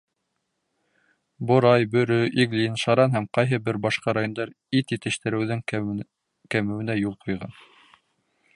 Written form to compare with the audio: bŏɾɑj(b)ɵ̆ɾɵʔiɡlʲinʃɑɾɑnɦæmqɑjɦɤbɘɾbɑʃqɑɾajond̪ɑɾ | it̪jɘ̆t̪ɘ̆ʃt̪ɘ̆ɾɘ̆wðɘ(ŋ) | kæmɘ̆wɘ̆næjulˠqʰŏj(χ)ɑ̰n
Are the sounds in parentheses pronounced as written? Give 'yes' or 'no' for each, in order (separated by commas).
yes, yes, no